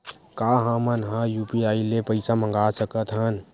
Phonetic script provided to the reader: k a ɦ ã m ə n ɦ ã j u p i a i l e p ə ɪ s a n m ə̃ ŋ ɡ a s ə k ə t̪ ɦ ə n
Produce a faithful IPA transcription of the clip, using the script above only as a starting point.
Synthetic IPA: k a ɦ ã m ə n ɦ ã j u p i a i l e p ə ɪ s a m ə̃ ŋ ɡ a s ə k ə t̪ ɦ ə n